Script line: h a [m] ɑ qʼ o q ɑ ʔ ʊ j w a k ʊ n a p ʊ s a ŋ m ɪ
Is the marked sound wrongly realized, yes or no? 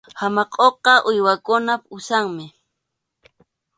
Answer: no